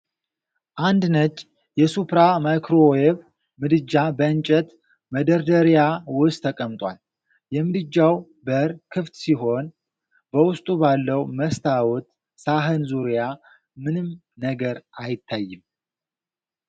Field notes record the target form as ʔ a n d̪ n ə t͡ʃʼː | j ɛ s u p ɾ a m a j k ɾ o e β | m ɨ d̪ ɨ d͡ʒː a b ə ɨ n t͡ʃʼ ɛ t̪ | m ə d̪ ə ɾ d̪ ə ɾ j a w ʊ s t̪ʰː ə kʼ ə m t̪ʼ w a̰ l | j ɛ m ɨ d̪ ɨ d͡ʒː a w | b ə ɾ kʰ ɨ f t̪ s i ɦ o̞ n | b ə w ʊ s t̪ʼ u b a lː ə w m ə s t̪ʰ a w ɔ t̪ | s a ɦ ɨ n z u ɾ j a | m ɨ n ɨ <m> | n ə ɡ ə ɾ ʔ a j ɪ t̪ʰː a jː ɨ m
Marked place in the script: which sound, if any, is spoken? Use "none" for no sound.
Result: m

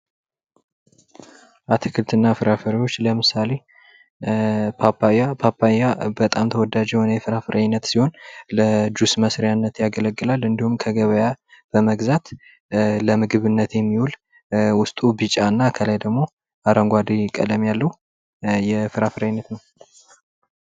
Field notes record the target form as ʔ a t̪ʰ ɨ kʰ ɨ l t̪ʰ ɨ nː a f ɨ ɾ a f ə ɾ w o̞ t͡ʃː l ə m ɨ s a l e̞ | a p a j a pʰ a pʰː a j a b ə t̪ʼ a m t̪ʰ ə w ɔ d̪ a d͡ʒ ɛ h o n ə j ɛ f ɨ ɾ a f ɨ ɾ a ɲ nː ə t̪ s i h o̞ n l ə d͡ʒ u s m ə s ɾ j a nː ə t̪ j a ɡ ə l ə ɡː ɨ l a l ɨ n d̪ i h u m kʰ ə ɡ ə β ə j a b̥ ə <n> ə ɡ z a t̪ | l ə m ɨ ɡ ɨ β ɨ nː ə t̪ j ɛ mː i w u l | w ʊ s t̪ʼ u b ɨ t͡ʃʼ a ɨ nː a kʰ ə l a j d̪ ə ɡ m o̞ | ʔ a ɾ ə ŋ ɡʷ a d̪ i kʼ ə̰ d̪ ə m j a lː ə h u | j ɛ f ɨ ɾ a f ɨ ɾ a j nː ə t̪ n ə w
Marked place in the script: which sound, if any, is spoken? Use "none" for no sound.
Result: m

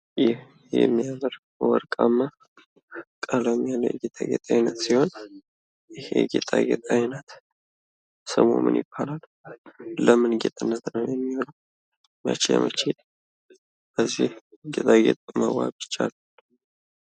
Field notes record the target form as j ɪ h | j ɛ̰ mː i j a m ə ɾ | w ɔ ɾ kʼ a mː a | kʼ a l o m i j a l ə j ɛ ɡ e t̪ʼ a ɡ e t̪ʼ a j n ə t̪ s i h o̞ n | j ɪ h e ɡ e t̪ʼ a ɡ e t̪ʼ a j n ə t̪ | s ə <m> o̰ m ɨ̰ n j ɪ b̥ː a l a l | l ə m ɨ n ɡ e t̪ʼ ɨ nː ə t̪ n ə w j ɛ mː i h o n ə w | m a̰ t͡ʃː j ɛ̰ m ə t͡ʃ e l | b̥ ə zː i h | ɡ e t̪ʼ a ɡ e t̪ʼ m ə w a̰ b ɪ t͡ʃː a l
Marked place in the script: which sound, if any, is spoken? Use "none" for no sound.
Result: m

